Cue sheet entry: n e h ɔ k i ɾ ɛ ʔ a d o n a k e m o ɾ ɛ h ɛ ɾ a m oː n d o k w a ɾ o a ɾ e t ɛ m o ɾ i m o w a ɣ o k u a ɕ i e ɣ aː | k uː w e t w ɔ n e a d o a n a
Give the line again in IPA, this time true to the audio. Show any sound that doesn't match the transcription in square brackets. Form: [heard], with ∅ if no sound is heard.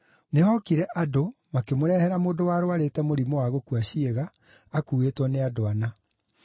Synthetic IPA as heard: n e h ɔ k i ɾ ɛ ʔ a d o [m] a k e m o ɾ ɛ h ɛ ɾ a m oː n d o [∅] w a ɾ o a ɾ e t ɛ m o ɾ i m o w a ɣ o k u a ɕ i e ɣ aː | k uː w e t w ɔ n e a d o a n a